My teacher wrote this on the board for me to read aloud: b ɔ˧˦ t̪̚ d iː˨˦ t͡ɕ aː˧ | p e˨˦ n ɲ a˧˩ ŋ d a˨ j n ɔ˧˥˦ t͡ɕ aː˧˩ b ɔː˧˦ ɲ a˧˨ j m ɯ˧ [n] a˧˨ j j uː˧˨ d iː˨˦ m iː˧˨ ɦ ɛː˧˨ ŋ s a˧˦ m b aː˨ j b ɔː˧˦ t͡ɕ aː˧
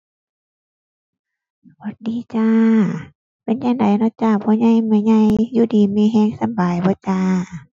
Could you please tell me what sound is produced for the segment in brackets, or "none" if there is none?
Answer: ɲ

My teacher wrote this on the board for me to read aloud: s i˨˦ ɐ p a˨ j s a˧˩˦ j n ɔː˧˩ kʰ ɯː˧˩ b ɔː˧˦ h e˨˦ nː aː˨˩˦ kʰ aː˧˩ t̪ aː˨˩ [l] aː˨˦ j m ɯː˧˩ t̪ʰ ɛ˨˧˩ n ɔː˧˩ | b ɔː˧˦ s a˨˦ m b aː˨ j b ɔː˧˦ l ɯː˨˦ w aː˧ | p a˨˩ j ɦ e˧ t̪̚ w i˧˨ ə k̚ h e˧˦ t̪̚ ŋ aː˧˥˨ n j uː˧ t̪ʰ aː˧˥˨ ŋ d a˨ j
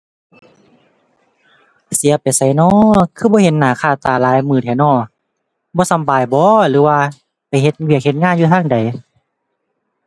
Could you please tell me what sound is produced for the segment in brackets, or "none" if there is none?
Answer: l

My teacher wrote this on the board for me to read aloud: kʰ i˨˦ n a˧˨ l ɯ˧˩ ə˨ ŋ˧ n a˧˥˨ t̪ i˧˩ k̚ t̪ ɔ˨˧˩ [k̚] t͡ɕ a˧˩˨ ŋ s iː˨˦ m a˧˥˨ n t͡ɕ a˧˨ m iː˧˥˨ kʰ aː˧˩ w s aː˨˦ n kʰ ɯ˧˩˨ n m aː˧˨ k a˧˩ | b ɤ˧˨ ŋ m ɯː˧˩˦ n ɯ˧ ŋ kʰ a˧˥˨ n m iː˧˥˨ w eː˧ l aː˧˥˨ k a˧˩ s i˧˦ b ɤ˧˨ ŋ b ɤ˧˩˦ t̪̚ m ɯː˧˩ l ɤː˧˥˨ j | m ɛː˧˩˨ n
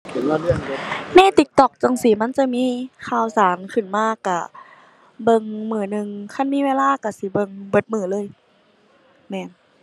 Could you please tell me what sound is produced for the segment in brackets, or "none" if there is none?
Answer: k̚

